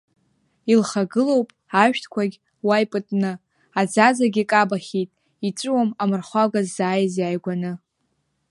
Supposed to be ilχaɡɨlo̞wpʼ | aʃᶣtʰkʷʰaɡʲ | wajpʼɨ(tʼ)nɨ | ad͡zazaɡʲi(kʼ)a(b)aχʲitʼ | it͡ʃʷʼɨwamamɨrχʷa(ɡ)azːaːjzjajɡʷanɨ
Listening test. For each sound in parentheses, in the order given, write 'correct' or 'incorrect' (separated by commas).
correct, correct, correct, correct